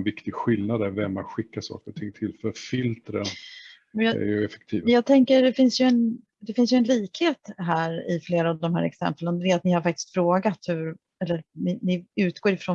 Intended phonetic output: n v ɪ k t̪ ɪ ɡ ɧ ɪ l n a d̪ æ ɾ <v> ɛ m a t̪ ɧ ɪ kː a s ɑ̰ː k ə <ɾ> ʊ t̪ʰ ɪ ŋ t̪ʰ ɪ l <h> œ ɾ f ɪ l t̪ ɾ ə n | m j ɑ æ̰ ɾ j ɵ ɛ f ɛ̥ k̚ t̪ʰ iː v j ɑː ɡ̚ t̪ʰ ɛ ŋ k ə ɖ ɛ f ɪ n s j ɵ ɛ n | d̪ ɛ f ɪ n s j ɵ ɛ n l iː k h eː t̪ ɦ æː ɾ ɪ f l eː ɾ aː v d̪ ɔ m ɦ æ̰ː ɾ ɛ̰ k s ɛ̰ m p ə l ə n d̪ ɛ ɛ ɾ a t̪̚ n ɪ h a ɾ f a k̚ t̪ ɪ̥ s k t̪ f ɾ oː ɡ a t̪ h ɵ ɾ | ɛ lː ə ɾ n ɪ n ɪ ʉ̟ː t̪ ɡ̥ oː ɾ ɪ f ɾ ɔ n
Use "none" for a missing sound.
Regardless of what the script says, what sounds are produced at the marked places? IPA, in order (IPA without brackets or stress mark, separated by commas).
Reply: v, ɾ, f